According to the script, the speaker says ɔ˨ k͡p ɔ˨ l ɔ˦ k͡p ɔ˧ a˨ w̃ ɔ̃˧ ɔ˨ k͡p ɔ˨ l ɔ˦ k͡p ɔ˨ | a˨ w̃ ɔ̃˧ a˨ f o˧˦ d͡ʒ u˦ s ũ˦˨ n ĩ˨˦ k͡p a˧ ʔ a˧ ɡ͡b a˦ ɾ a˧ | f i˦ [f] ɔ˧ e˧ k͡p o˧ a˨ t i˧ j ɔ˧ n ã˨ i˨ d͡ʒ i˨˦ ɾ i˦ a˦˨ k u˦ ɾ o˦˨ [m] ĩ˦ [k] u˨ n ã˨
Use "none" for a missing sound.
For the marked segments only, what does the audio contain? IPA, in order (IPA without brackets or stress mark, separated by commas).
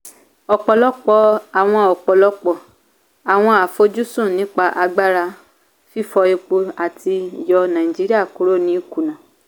f, n, k